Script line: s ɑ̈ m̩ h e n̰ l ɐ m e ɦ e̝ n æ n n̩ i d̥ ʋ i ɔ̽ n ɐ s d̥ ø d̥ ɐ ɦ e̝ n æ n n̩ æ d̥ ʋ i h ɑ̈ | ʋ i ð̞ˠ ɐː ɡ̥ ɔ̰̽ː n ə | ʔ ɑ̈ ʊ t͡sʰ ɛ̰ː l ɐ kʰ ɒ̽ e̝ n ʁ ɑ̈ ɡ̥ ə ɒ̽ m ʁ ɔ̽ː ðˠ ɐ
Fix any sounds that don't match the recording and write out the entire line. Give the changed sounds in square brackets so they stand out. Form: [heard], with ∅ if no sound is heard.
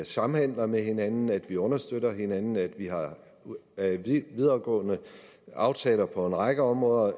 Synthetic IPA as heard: s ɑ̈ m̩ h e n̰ l ɐ m e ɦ e̝ n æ n n̩ [æ] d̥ ʋ i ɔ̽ n ɐ s d̥ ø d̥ ɐ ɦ e̝ n æ n n̩ æ d̥ ʋ i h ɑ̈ | ʋ i ð̞ˠ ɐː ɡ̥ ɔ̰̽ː n ə | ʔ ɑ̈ ʊ t͡sʰ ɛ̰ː l ɐ [pʰ] ɒ̽ e̝ n ʁ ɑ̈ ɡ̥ ə ɒ̽ m ʁ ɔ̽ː ðˠ ɐ